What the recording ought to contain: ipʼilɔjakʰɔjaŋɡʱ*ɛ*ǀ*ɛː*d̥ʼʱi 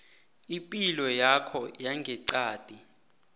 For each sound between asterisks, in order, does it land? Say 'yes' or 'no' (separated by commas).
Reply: yes, no